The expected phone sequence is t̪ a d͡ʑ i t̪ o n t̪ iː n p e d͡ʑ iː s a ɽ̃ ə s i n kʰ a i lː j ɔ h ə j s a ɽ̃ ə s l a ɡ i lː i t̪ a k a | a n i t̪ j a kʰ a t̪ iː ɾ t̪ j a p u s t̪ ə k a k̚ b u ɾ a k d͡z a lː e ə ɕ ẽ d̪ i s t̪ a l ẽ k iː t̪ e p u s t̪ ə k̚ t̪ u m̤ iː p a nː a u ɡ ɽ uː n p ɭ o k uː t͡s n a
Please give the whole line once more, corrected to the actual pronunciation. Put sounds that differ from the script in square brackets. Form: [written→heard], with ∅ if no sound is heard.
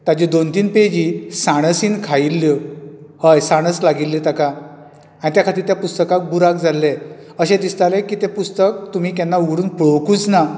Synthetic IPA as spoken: t̪ a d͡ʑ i [t̪→d̪] o n t̪ iː n p e d͡ʑ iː s a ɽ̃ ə s i n kʰ a i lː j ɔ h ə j s a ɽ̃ ə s l a ɡ i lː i t̪ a k a | a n i t̪ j a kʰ a t̪ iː ɾ t̪ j a p u s t̪ ə k a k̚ b u ɾ a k d͡z a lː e ə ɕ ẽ d̪ i s t̪ a l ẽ k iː t̪ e p u s t̪ ə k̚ t̪ u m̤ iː [p→k] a nː a u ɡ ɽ uː n p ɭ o k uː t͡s n a